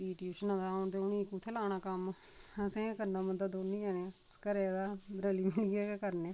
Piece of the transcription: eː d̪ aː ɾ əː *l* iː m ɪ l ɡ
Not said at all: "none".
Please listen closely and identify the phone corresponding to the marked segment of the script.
l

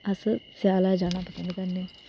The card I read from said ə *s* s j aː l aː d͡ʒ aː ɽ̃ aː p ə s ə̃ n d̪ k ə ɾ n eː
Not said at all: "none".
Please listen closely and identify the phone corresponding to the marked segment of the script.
s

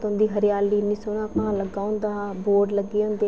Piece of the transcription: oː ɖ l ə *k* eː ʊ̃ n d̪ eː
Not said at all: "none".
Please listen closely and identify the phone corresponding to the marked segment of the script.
ɡ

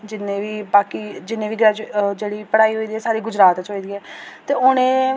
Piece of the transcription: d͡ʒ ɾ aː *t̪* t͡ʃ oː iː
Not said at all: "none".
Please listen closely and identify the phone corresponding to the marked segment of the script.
t̪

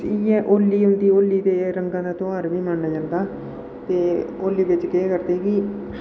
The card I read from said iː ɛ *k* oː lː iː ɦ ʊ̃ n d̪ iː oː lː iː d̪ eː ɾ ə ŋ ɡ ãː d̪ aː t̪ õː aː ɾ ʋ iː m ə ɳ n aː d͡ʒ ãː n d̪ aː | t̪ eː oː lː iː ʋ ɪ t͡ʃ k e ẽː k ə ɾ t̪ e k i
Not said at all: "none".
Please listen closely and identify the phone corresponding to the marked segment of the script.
ʔ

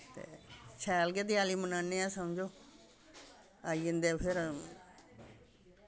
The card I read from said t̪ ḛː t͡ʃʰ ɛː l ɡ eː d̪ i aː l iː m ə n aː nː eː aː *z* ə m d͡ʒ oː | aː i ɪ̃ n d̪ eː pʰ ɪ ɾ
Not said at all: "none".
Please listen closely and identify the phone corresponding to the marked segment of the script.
s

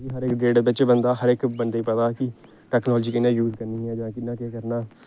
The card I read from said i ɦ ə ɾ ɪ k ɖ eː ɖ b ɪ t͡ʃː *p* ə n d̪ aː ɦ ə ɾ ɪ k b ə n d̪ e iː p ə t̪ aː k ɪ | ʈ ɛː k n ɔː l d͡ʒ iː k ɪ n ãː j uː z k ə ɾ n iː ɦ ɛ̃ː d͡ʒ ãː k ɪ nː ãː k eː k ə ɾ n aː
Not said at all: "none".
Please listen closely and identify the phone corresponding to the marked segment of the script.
b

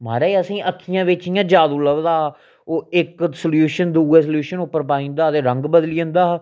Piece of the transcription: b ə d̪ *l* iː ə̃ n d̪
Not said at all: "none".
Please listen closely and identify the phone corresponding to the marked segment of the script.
l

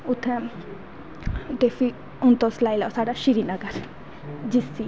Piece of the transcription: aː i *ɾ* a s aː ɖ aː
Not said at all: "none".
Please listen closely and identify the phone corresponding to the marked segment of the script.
l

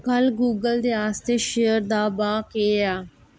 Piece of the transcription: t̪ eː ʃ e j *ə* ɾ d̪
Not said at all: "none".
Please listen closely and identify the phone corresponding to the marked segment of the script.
ə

